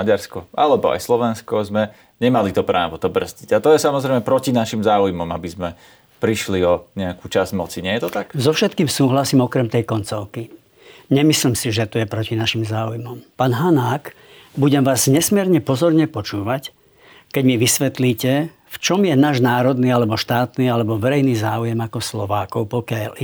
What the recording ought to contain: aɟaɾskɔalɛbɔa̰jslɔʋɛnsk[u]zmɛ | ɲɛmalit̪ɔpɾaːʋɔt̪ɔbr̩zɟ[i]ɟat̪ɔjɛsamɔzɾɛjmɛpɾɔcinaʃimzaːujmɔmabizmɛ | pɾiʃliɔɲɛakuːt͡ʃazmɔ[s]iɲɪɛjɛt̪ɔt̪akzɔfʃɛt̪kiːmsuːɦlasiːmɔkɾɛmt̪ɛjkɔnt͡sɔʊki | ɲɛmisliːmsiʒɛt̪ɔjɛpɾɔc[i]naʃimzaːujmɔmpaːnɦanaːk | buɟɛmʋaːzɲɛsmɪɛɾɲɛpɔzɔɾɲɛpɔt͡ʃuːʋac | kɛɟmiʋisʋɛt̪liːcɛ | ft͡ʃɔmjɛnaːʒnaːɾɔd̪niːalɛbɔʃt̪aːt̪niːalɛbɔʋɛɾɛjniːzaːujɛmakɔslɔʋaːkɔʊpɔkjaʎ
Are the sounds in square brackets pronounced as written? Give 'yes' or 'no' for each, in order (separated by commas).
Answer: no, yes, no, yes